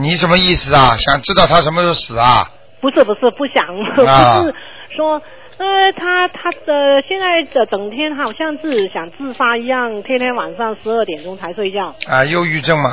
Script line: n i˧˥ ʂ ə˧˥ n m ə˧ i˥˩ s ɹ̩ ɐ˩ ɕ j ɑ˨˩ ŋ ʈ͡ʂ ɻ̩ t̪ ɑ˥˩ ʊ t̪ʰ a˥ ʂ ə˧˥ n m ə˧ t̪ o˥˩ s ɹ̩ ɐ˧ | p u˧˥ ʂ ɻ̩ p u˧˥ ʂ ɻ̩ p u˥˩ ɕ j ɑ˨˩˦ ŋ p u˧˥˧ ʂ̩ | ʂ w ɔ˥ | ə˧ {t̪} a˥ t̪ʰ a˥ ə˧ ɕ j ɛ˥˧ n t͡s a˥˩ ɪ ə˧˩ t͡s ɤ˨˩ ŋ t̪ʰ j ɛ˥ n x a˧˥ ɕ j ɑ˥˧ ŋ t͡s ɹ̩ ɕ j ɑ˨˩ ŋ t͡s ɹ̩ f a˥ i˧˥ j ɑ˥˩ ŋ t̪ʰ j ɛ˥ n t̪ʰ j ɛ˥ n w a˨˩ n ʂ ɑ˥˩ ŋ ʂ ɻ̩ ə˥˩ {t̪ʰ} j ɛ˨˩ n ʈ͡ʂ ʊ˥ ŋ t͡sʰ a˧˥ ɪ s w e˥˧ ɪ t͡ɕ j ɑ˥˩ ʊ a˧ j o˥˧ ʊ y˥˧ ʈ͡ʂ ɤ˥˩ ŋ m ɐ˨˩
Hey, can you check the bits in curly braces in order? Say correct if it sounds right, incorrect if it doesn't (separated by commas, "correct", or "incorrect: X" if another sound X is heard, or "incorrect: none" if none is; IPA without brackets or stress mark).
incorrect: t̪ʰ, incorrect: t̪